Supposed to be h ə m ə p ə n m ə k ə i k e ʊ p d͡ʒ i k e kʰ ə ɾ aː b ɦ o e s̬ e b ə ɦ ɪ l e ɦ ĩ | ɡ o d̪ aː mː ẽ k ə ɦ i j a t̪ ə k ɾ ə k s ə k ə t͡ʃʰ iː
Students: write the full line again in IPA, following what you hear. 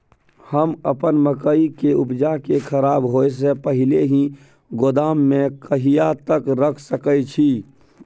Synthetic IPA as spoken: h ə m ə p ə n m ə k ə i k e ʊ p d͡ʒ a k e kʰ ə ɾ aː b ɦ o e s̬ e p ə ɦ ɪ l e ɦ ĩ | ɡ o d̪ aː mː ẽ k ə ɦ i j a t̪ ə k ɾ ə kʰ s ə k ə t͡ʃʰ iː